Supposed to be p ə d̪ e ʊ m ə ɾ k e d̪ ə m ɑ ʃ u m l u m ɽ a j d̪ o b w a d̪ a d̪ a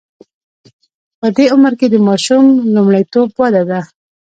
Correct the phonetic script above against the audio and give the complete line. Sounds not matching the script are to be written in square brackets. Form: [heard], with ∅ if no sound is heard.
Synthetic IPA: p ə d̪ e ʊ m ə ɾ k e d̪ ə m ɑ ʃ u m l u m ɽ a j [t̪] o b w a d̪ a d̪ a

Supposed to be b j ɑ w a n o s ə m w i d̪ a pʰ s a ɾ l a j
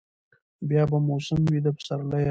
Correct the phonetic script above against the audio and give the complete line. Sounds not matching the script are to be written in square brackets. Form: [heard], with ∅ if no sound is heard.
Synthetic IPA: b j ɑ [b] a [m] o s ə m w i d̪ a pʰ s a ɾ l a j

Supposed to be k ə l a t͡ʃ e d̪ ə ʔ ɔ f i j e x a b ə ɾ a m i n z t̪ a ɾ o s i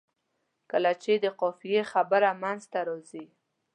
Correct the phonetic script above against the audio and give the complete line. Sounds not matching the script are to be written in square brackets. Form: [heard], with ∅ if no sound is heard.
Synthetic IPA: k ə l a t͡ʃ e d̪ ə [q] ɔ f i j e x a b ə ɾ a m [a] n z t̪ a ɾ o [z] i

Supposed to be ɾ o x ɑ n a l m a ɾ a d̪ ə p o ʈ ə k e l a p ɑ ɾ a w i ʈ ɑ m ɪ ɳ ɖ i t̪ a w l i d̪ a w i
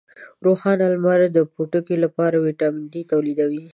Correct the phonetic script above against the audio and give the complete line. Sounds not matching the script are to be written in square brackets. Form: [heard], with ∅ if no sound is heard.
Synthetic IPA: ɾ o x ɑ n a l m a ɾ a d̪ ə p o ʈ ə k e l a p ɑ ɾ a w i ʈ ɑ m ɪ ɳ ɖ i t̪ a w l i d̪ a w i

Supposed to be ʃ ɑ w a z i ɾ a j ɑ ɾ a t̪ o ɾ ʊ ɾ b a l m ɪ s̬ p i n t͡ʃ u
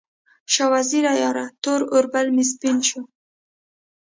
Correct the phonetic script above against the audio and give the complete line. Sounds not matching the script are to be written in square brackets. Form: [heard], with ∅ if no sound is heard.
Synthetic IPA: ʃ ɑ w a z i ɾ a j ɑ ɾ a t̪ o ɾ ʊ ɾ b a l m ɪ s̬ p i n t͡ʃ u

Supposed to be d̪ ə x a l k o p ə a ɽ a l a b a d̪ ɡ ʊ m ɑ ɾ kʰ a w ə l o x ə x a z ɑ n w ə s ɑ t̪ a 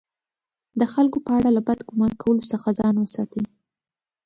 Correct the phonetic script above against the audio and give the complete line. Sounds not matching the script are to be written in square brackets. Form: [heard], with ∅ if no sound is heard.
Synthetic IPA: d̪ ə x a l k o p ə a ɽ a l a b a d̪ ɡ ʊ m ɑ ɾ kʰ a w ə l o [s] ə x a z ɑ n w ə s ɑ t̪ [i]

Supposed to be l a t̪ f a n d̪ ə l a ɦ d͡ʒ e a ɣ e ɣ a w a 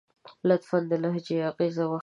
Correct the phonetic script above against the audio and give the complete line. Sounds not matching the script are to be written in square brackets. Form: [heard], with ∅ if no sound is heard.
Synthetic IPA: l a t̪ f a n d̪ ə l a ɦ d͡ʒ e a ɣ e [z] a w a

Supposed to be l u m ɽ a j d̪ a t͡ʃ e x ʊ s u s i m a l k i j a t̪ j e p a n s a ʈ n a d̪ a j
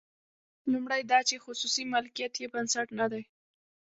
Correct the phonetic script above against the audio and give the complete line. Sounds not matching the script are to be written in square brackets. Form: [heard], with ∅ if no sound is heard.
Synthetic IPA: l u m ɽ a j d̪ [ɑ] t͡ʃ e x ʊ s u s i m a l k i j a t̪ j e [b] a n s a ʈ n a d̪ a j

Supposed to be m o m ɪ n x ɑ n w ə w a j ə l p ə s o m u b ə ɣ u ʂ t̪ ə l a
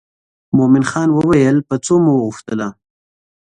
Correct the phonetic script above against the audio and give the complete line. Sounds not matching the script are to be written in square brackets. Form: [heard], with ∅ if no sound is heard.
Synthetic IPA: m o m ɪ n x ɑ n w ə w a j ə l p ə [t͡s] o m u [w] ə ɣ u [x] t̪ ə l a

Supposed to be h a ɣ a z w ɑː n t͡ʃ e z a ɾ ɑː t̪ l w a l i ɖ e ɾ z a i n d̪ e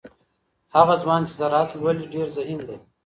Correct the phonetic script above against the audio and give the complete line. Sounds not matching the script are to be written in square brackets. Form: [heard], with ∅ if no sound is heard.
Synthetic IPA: h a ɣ a z w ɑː n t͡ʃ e z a ɾ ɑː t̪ l w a l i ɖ e ɾ z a i n d̪ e

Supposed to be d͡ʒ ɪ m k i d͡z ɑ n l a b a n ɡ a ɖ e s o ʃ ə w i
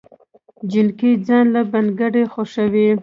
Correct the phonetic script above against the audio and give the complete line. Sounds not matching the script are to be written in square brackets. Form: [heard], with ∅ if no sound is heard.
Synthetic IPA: d͡ʒ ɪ [n] k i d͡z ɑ n l a b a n ɡ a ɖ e [x] o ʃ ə w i

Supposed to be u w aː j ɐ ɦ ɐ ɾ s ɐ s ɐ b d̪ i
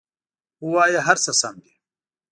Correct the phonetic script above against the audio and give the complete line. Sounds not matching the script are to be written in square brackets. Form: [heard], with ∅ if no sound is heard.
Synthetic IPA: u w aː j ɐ ɦ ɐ ɾ s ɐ s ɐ [m] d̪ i

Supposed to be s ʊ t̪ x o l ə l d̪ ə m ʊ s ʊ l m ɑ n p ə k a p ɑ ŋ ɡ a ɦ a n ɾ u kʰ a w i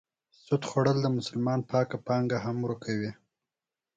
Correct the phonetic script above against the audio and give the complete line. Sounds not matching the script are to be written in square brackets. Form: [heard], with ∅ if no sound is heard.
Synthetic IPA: s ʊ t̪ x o [ɽ] ə l d̪ ə m ʊ s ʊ l m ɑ n p [ɑ] k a p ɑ ŋ ɡ a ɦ a [m] ɾ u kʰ a w i

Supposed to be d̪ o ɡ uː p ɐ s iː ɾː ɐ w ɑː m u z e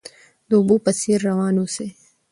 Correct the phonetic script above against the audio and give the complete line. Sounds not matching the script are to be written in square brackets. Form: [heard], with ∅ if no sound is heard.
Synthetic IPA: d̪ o [b] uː p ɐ s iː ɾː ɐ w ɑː [n] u [s] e

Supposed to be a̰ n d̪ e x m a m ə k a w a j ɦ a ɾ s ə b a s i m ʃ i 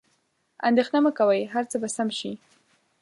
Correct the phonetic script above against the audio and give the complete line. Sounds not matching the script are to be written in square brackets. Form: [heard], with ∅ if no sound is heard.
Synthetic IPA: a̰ n d̪ e x [n] a m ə k a w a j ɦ a ɾ [t͡s] ə b a s [a] m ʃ i

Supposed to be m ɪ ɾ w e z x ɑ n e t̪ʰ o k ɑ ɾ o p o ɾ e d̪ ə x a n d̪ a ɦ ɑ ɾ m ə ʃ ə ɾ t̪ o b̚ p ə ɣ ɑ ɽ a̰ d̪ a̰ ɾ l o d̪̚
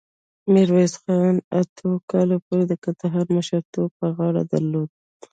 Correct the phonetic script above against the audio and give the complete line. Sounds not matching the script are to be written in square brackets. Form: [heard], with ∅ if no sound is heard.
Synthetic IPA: m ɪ ɾ w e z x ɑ n [a] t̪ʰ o k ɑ [l] o p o ɾ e d̪ ə [k] a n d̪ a ɦ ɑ ɾ m ə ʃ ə ɾ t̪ o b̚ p ə ɣ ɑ ɽ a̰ d̪ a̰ ɾ l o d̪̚

